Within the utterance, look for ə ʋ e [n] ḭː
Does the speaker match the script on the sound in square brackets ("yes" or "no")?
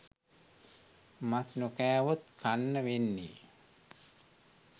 no